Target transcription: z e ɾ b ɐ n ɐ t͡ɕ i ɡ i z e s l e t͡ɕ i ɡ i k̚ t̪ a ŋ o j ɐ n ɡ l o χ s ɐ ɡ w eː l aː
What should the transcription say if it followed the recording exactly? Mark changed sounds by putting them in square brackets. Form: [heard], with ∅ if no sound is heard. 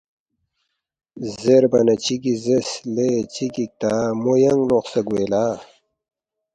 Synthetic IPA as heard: z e ɾ b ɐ n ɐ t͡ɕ i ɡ i z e s l e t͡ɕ i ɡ i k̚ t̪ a [m] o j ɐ [ŋ] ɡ l o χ s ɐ ɡ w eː l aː